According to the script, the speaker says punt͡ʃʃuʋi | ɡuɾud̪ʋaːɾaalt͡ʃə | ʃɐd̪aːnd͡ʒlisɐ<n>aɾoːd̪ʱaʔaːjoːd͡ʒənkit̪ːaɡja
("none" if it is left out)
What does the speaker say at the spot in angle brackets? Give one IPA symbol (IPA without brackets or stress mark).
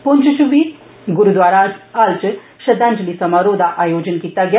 m